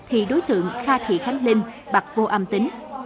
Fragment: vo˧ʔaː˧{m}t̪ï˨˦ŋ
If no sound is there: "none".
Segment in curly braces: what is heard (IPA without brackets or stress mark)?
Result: m